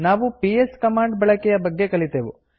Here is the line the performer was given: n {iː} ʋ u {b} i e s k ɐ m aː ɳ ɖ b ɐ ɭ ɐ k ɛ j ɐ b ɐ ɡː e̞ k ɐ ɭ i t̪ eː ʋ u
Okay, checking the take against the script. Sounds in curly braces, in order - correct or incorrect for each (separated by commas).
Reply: incorrect, incorrect